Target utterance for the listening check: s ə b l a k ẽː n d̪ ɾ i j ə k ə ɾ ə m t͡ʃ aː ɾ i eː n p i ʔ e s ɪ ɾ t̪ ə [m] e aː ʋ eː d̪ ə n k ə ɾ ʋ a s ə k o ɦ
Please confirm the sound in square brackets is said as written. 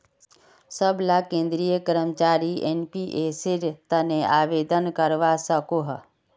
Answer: no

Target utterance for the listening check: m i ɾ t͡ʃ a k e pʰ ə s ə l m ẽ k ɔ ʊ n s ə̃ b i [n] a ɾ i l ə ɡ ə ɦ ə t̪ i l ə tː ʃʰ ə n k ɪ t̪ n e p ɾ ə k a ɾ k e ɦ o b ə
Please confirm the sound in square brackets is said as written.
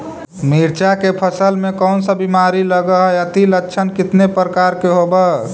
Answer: no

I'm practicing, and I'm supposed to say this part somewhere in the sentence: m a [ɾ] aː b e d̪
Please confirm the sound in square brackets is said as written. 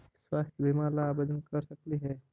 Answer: no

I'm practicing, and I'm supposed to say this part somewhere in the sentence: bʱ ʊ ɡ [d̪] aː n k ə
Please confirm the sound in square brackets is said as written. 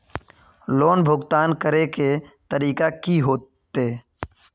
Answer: no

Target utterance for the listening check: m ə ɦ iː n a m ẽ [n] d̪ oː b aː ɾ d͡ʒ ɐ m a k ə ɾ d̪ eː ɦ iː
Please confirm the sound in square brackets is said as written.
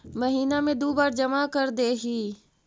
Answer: no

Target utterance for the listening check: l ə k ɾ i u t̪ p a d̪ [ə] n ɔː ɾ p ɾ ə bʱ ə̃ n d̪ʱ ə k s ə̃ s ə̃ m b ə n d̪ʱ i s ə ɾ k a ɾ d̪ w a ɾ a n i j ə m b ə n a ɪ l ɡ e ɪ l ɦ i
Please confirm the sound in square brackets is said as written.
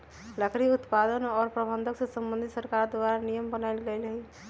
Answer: yes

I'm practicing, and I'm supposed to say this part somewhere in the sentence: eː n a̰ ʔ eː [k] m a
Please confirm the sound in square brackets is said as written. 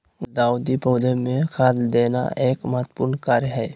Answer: yes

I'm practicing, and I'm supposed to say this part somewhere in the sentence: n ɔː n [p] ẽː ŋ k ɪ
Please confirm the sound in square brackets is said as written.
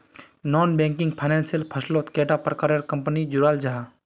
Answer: no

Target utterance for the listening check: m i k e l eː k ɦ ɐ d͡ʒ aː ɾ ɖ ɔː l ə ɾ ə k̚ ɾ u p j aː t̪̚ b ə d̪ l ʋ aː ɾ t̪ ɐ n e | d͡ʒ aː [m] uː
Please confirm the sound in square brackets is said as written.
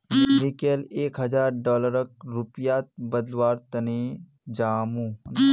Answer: yes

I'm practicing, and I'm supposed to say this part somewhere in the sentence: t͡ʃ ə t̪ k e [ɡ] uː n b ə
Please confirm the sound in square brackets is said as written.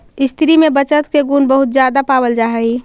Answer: yes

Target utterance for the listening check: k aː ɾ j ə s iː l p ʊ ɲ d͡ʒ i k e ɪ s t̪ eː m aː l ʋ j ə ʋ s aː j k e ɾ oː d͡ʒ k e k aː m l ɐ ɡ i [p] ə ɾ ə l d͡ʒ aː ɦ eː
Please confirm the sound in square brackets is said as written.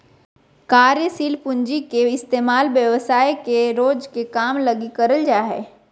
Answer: no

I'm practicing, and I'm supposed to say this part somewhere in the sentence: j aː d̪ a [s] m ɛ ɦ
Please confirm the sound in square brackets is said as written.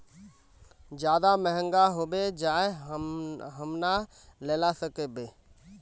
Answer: no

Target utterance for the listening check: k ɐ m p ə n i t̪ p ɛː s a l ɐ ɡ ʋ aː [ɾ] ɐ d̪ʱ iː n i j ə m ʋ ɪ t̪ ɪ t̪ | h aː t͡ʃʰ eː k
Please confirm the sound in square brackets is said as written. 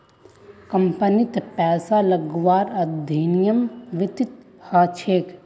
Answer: yes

